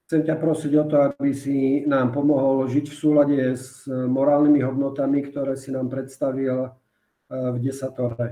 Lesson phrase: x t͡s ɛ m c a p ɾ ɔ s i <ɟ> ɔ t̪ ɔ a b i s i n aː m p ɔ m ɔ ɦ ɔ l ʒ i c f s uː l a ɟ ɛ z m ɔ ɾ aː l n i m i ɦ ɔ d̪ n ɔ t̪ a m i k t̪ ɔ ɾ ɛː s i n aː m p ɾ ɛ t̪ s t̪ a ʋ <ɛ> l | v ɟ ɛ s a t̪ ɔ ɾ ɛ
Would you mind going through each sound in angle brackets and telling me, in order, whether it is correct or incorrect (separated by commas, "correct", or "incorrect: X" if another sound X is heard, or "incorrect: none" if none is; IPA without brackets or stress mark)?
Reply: correct, incorrect: i